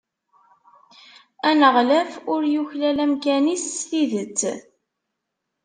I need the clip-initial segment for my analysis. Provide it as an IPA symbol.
æ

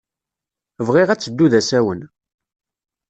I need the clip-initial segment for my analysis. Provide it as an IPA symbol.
v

